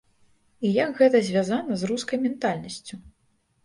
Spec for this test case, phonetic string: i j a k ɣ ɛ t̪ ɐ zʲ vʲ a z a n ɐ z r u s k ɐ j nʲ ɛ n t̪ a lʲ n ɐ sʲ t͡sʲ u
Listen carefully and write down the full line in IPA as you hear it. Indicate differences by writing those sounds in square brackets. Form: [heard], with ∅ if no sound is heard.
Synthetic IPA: i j a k ɣ ɛ t̪ ɐ zʲ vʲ a z a n ɐ z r u s k ɐ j [mʲ] ɛ n t̪ a lʲ n ɐ sʲ t͡sʲ u